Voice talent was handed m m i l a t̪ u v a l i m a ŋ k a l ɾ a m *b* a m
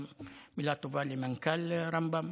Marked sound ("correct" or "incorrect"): correct